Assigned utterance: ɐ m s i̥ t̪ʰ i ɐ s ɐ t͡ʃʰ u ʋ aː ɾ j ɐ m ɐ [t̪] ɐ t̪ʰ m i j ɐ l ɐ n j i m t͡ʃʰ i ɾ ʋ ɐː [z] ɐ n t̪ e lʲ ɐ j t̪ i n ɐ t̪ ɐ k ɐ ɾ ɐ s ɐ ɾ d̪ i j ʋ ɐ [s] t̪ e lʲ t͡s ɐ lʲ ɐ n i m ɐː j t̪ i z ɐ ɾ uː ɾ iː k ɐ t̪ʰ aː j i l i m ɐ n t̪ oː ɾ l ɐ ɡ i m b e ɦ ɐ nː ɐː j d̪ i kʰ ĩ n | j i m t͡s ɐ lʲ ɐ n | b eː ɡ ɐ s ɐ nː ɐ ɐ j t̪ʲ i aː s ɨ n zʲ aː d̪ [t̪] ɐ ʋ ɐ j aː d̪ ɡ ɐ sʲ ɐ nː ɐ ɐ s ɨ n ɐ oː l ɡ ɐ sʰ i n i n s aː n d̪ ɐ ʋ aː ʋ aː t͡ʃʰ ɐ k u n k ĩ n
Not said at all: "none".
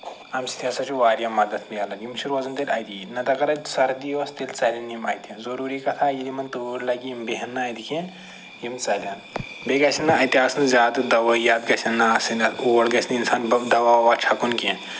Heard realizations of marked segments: d̪, z, s, d̪

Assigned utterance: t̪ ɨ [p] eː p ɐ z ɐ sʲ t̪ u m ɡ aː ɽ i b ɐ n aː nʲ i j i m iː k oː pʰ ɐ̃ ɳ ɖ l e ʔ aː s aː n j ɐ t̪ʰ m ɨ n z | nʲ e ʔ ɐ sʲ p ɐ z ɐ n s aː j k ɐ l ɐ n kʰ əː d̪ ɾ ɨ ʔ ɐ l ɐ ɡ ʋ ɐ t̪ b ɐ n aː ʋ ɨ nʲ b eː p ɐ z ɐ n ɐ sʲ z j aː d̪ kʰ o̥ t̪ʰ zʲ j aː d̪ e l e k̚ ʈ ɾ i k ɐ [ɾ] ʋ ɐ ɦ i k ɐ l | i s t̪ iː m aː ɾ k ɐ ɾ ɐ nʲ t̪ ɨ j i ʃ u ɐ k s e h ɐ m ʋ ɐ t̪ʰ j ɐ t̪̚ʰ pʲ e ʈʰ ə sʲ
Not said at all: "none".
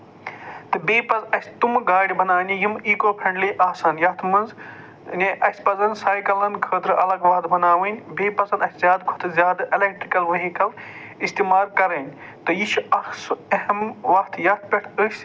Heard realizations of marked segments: b, l

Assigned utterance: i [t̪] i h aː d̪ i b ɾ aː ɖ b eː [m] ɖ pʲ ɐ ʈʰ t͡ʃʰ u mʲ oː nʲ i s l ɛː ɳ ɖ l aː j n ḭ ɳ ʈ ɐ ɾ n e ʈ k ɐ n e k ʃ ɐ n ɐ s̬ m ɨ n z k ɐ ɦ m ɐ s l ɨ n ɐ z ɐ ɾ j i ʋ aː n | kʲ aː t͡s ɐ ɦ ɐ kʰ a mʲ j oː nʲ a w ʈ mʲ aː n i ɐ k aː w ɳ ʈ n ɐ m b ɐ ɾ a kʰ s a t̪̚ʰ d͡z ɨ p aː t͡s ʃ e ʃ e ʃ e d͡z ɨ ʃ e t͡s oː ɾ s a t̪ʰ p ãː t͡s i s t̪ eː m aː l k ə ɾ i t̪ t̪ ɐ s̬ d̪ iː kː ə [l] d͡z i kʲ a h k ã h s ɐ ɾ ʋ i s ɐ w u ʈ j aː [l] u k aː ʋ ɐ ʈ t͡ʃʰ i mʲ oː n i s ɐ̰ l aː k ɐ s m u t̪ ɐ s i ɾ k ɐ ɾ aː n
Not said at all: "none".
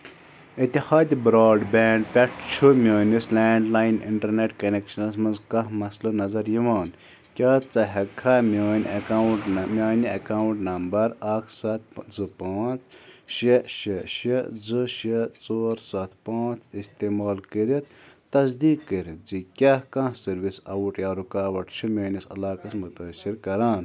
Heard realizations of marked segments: t̪, ɳ, ɾ, ɾ

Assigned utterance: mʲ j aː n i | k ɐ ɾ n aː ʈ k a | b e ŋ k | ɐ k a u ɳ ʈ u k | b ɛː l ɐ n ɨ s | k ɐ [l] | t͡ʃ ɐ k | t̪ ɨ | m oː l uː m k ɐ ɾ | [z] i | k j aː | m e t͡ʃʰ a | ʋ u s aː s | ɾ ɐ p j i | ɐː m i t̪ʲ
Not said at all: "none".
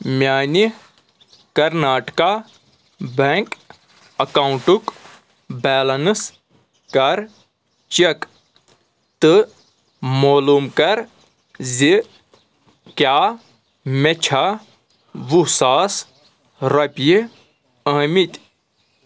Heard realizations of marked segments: ɾ, z

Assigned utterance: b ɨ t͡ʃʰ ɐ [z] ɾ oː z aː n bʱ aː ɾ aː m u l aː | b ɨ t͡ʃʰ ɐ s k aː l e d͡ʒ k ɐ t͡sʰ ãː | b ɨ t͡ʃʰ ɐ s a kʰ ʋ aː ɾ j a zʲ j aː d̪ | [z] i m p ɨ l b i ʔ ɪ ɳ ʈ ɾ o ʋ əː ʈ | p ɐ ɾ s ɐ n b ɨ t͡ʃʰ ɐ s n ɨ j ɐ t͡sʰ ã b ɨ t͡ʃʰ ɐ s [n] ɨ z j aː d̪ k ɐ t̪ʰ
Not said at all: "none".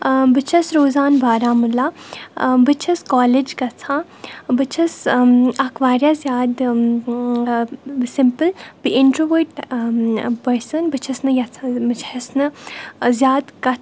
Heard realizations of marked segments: s, s, n

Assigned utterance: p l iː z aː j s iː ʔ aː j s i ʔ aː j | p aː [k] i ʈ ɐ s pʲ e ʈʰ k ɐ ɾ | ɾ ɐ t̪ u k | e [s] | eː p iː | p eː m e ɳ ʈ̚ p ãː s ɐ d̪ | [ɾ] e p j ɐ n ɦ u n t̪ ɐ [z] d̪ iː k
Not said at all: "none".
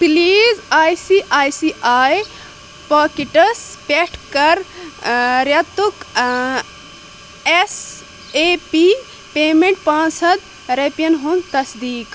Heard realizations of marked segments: k, s, ɾ, s

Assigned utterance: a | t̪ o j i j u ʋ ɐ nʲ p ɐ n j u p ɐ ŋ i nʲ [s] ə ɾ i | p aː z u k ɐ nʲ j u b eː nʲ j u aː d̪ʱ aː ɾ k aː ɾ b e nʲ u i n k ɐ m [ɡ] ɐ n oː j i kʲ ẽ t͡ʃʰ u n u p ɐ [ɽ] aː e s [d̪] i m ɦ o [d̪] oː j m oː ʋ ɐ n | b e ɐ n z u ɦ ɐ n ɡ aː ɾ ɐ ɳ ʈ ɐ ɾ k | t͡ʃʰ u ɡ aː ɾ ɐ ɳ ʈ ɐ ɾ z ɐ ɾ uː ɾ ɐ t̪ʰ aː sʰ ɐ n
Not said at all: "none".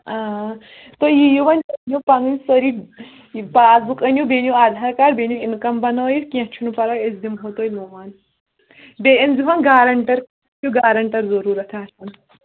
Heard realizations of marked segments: s, b, ɾ, d̪, t̪

